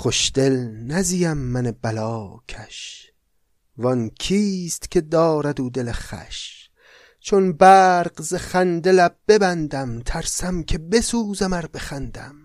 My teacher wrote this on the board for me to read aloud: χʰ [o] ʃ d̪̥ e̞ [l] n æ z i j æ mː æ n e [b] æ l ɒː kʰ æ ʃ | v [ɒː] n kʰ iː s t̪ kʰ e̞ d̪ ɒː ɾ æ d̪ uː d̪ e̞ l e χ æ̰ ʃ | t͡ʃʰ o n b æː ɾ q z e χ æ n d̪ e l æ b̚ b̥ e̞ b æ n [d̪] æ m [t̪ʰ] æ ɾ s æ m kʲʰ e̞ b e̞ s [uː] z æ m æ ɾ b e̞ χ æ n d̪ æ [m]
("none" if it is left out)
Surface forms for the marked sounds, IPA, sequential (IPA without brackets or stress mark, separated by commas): o, l, b, ɒ, d̪, t̪ʰ, uː, m